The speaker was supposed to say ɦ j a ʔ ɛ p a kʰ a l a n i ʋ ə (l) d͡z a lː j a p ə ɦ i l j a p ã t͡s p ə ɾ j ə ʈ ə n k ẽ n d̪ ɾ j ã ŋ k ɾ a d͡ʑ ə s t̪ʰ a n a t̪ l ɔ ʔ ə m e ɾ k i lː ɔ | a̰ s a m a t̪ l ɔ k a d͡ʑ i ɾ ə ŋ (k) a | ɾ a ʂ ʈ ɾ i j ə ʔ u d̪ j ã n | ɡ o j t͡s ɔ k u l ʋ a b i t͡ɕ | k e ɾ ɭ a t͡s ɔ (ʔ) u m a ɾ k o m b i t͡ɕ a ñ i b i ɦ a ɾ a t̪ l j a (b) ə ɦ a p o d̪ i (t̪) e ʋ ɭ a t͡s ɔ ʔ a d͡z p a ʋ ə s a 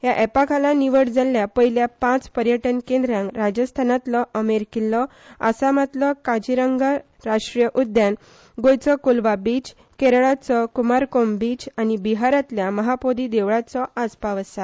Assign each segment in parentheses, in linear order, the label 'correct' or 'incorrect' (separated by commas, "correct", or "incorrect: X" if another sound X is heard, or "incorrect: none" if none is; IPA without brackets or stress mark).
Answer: incorrect: ɽ, incorrect: ɡ, incorrect: k, incorrect: m, incorrect: d̪